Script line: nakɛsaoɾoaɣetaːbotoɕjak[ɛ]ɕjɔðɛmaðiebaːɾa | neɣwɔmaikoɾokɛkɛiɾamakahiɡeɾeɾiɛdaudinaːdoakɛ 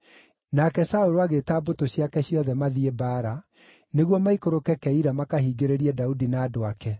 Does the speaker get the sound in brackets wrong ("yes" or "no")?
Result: no